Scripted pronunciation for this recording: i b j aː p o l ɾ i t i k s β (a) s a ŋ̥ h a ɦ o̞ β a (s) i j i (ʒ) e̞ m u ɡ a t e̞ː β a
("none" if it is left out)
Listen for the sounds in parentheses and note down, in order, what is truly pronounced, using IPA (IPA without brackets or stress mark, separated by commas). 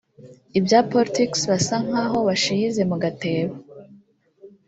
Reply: a, ʃ, z